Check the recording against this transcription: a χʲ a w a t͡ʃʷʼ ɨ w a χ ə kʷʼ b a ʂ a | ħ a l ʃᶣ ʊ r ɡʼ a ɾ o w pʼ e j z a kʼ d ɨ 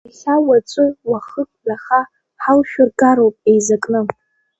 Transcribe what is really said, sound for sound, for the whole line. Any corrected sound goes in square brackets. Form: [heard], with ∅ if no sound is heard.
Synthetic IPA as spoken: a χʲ a w a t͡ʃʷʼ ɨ w a χ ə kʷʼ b a [χ] a | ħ a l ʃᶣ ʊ r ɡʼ a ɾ o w pʼ e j z a kʼ [n] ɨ